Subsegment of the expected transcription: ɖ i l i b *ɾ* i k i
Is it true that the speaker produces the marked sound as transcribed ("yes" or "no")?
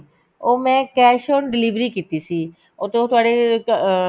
yes